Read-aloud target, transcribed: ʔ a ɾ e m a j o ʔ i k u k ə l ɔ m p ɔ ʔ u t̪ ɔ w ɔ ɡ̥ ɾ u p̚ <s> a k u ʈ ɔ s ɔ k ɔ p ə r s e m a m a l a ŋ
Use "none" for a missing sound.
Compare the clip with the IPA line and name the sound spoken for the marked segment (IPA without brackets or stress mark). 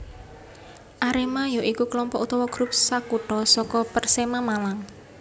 s